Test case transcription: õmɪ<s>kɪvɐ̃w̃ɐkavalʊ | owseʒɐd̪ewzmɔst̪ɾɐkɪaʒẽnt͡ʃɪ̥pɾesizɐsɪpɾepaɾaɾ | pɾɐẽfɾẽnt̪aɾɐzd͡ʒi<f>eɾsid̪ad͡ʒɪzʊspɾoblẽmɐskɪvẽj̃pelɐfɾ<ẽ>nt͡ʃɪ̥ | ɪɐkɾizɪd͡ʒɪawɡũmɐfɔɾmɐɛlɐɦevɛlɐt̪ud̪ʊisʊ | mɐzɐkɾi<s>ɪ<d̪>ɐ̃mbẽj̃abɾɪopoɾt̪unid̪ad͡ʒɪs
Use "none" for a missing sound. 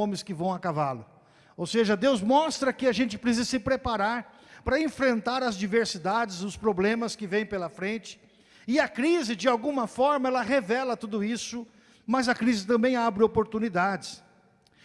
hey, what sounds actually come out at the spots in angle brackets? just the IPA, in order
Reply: s, v, ẽ, z, t̪

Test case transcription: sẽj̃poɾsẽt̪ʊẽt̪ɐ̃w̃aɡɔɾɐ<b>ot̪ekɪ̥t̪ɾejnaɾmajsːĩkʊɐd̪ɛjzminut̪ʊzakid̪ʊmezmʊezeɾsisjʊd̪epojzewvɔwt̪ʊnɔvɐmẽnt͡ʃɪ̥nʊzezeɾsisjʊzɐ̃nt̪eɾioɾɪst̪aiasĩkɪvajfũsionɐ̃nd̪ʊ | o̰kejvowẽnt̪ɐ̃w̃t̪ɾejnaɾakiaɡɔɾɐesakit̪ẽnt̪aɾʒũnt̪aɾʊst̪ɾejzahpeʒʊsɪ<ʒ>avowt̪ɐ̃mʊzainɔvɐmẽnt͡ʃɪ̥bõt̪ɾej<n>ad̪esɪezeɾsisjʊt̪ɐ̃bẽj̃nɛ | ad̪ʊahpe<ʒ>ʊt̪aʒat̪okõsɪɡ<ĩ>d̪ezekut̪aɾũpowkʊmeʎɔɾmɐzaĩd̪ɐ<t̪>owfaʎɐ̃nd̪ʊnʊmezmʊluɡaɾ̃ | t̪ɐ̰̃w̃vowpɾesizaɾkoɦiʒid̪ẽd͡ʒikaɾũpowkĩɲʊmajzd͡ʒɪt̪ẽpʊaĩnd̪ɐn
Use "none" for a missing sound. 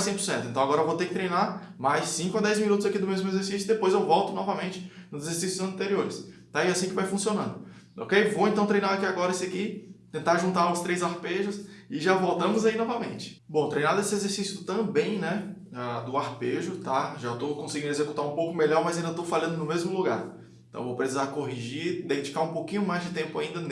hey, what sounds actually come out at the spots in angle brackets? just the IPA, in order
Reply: v, ʒ, n, ʒ, ĩ, t̪

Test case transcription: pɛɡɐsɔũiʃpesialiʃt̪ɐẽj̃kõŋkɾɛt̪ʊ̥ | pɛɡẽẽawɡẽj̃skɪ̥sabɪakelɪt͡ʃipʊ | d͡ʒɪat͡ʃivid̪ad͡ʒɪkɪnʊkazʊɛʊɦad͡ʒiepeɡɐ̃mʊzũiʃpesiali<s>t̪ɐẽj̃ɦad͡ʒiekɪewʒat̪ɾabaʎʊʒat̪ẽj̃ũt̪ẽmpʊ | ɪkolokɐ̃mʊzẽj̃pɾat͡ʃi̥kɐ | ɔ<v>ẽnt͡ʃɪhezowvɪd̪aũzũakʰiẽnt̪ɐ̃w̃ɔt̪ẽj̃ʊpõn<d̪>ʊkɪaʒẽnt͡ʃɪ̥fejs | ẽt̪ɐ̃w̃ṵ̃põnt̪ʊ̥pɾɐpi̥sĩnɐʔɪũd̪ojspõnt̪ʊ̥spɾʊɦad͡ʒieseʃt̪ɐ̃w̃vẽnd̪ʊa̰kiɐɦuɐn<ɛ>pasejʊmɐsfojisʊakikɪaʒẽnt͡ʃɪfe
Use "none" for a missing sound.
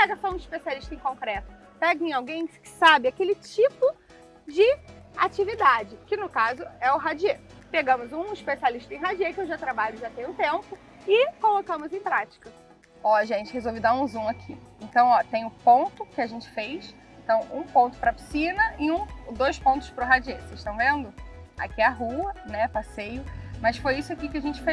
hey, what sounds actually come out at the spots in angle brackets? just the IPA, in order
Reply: ʃ, ʒ, t̪, ɛ

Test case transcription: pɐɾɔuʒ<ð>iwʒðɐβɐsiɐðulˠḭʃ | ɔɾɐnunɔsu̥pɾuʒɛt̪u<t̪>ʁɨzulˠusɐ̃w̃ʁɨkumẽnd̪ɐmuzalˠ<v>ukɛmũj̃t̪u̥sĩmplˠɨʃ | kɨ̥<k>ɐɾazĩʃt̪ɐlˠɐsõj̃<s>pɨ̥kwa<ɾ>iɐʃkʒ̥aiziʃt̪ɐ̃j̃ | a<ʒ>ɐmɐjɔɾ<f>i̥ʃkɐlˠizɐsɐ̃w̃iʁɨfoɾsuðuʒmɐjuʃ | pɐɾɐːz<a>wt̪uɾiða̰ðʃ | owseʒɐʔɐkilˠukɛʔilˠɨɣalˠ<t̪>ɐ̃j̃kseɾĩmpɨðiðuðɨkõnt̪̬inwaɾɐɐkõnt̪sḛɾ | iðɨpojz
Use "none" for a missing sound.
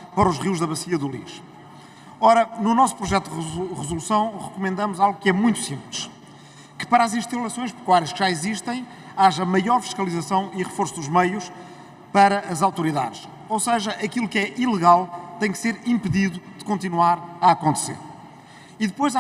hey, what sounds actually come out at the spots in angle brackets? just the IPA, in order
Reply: ʁ, d̪, ɣ, p, ʃ, ɾ, ʒ, f, a, t̪

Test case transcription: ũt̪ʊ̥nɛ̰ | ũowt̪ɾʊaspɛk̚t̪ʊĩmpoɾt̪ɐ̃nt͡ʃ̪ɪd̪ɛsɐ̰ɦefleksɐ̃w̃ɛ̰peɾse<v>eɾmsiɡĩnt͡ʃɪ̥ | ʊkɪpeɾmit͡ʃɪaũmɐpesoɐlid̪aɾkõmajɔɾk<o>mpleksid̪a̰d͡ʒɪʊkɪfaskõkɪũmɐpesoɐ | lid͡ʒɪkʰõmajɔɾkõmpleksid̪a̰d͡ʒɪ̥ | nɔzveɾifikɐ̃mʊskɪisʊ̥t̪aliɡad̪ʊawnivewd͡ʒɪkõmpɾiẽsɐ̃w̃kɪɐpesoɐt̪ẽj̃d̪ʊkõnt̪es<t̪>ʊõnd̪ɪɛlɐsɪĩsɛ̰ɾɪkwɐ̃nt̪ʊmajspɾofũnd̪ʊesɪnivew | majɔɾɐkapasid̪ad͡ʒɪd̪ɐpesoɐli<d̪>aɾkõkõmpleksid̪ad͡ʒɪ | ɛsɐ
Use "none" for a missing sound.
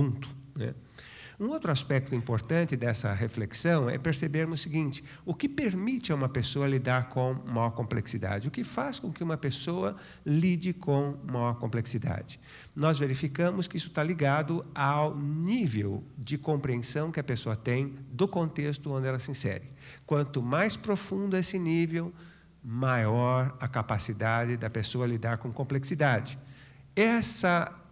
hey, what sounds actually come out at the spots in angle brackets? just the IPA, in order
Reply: b, õ, t̪, d̪

